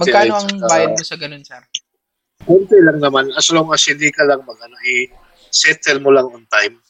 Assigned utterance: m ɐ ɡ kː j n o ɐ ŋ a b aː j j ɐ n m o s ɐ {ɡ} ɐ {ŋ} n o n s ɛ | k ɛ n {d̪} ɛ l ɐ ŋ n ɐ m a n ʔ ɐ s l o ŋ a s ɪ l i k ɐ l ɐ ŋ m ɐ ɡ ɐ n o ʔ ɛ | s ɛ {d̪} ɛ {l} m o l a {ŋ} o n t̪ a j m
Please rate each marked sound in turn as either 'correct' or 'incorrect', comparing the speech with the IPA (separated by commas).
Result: correct, incorrect, incorrect, incorrect, correct, correct